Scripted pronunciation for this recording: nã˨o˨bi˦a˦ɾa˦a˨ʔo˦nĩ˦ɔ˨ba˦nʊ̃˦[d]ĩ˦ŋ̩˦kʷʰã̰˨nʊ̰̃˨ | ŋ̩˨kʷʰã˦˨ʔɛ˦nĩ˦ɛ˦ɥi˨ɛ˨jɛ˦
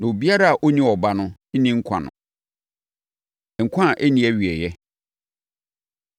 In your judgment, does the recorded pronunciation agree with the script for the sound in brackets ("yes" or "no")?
no